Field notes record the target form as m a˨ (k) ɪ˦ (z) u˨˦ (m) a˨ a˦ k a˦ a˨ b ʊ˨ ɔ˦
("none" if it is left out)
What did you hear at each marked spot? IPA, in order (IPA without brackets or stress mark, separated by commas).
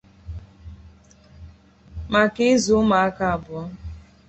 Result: k, z, m